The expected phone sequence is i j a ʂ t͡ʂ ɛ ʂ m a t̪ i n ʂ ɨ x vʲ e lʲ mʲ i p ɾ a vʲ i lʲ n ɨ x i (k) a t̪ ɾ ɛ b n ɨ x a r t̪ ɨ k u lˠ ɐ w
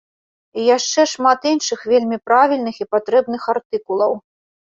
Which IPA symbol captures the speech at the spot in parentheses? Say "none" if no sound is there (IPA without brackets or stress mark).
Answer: p